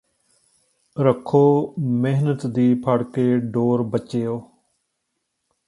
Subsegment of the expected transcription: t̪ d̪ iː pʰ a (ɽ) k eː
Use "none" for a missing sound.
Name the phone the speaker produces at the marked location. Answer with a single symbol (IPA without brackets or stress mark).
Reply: ɽ